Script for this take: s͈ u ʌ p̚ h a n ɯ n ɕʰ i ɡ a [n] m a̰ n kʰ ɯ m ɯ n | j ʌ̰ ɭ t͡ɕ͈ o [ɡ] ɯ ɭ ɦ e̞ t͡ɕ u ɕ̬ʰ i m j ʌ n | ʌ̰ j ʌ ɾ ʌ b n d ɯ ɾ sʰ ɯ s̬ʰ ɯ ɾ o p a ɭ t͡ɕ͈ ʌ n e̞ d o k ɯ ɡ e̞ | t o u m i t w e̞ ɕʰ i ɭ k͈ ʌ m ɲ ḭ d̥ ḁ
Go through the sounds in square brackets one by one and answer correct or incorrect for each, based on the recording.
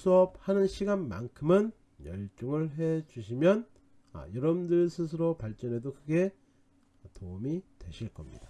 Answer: correct, incorrect: ŋ

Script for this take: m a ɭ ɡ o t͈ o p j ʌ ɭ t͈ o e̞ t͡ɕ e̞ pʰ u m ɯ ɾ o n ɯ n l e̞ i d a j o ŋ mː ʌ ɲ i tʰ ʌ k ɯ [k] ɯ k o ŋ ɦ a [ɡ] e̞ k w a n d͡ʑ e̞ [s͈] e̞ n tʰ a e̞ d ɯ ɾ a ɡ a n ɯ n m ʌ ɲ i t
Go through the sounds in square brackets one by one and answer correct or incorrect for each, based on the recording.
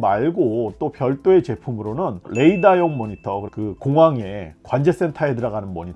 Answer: correct, incorrect: ŋ, correct

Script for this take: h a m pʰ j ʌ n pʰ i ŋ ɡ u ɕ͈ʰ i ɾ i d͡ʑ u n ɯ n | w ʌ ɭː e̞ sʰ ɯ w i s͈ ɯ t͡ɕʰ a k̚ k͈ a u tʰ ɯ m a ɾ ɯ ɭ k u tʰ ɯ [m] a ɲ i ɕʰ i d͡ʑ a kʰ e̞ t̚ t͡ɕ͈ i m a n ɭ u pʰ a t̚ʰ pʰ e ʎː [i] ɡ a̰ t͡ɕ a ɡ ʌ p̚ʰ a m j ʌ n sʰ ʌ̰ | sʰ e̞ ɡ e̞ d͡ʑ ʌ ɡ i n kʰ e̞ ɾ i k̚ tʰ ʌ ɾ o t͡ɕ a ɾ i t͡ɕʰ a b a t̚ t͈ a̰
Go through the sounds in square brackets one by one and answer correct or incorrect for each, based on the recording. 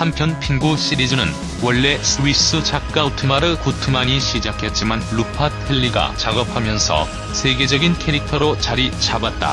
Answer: correct, correct

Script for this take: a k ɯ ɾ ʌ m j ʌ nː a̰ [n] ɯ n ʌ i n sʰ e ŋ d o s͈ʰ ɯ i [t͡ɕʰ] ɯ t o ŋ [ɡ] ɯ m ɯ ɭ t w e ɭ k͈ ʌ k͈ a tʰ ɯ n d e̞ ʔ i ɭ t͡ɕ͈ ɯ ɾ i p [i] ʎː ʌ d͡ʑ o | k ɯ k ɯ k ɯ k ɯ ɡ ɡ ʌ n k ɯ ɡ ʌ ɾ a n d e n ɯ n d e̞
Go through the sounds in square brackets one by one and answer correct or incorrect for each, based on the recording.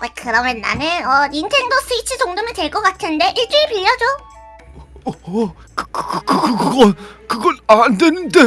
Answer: correct, correct, incorrect: d, correct

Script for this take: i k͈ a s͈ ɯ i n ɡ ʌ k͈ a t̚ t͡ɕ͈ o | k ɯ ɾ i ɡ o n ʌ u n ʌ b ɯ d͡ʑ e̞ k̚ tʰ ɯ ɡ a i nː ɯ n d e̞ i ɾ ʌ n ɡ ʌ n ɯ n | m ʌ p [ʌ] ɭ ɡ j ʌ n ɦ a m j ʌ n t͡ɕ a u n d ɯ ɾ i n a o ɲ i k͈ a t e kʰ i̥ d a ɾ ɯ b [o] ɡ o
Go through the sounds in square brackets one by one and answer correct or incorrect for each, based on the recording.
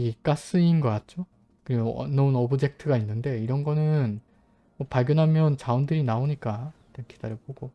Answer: incorrect: a, correct

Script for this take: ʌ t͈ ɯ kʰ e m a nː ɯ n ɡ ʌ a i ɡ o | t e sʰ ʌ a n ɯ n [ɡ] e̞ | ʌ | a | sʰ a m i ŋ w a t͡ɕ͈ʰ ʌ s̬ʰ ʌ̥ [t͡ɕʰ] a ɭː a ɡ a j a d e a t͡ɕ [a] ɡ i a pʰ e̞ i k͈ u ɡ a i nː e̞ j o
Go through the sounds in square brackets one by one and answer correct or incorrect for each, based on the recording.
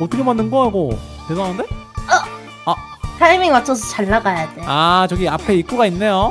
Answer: incorrect: d, incorrect: t͡ɕ, incorrect: ʌ

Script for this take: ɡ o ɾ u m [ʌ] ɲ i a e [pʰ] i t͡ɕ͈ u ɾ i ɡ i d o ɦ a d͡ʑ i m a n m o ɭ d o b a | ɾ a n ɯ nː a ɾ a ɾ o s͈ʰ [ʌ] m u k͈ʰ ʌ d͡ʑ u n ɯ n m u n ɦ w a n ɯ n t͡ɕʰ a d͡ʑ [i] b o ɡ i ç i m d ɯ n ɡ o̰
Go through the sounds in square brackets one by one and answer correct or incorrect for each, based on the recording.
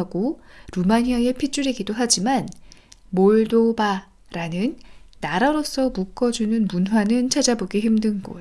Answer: incorrect: a, correct, correct, incorrect: a

